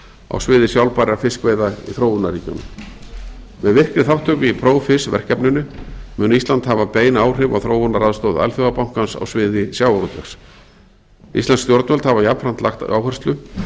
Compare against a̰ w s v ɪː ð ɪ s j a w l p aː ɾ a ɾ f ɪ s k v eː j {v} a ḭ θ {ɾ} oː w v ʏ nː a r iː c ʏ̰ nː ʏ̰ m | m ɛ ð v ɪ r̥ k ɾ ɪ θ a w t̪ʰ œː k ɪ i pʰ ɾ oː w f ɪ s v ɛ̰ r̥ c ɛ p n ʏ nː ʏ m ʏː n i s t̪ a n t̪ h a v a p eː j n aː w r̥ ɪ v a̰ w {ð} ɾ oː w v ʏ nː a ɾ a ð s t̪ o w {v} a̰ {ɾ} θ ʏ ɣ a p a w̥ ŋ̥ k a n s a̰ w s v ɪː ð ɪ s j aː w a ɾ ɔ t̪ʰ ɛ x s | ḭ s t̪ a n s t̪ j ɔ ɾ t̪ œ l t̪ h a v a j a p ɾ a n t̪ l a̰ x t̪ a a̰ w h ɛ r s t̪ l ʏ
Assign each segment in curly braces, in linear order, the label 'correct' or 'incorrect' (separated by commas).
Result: incorrect, correct, incorrect, incorrect, incorrect